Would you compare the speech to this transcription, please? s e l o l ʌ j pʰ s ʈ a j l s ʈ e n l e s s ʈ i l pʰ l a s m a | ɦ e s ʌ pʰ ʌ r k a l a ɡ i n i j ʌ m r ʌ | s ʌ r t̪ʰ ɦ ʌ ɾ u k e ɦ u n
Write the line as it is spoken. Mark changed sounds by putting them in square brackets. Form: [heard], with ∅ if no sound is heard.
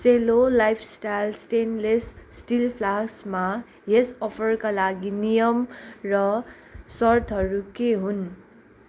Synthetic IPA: s e l o l [a] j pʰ s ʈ a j l s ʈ e n l e s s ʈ i l pʰ l a s m a | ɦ e s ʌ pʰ ʌ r k a l a ɡ i n i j ʌ m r ʌ | s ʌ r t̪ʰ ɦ ʌ ɾ u k e ɦ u n

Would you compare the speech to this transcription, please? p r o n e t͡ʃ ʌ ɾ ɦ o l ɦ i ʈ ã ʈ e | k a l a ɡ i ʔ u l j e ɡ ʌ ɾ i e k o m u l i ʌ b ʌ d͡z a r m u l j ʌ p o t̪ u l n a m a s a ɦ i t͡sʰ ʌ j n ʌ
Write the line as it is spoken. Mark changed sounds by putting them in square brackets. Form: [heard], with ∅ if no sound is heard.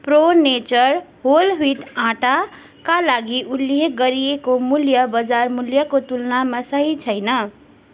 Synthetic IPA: p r o n e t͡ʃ ʌ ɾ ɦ o l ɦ i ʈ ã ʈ [a] | k a l a ɡ i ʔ u l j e ɡ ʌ ɾ i e k o m u l [j] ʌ b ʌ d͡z a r m u l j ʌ [k] o t̪ u l n a m a s [ʌ] ɦ i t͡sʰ ʌ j n ʌ

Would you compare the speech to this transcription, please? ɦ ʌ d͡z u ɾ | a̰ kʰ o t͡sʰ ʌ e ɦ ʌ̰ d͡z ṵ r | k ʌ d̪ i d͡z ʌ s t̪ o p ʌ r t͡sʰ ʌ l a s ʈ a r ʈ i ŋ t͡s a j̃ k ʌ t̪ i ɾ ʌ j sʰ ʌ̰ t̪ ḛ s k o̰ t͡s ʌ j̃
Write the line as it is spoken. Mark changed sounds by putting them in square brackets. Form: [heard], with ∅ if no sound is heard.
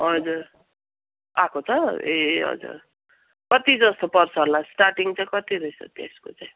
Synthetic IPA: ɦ ʌ d͡z u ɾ | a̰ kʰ o t͡sʰ ʌ e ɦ ʌ̰ d͡z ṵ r | k ʌ [t̪] i d͡z ʌ s t̪ o p ʌ r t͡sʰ ʌ l a s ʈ a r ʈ i ŋ t͡s a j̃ k ʌ t̪ i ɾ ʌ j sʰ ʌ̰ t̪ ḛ s k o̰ t͡s [a] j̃

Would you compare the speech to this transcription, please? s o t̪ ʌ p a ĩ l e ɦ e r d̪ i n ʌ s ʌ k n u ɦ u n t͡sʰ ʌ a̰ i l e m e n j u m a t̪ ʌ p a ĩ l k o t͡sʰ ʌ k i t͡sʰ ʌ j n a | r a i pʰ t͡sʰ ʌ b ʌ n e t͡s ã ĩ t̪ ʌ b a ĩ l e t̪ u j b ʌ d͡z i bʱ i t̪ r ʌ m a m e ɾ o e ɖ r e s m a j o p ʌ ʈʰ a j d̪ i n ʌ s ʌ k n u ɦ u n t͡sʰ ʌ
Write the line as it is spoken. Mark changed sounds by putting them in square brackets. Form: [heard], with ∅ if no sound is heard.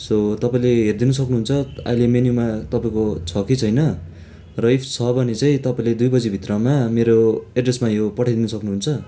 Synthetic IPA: s o t̪ ʌ p a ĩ l e ɦ e r d̪ i n ʌ s ʌ k n u ɦ u n t͡sʰ ʌ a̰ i l e m e n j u m a t̪ ʌ p a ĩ [∅] k o t͡sʰ ʌ k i t͡sʰ ʌ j n [ʌ] | r [ʌ] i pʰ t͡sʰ ʌ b ʌ n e t͡s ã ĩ t̪ ʌ [p] a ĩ l e [d̪] u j b ʌ d͡z i bʱ i t̪ r ʌ m a m e ɾ o e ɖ r e s m a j o p ʌ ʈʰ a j d̪ i n ʌ s ʌ k n u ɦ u n t͡sʰ ʌ

